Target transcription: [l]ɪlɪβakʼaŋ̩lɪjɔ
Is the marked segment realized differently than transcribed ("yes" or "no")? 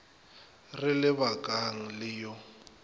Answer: yes